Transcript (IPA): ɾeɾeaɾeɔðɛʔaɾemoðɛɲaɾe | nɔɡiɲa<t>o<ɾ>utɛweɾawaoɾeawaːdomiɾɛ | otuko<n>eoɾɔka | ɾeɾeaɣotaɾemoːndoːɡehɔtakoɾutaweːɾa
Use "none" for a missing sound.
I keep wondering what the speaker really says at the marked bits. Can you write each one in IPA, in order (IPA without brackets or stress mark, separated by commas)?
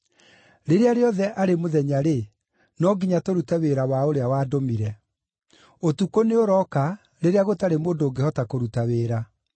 t, ɾ, n